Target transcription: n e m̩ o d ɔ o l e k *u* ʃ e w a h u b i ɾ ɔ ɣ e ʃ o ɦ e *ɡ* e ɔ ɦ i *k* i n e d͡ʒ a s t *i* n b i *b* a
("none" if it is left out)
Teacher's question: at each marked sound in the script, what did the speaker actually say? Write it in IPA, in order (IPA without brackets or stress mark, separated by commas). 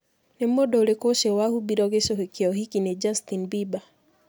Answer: o, k, k, i, b